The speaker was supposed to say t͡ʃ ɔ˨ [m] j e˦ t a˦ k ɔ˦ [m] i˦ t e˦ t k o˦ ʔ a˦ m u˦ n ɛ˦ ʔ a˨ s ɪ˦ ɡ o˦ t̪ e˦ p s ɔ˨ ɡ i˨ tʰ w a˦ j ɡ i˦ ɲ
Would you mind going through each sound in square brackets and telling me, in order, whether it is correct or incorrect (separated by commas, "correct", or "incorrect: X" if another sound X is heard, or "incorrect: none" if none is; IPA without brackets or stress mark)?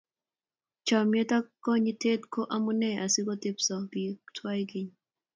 correct, incorrect: ɲ